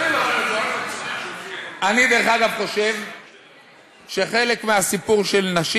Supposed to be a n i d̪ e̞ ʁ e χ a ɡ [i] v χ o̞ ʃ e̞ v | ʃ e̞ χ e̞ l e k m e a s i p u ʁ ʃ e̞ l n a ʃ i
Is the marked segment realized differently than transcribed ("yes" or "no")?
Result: yes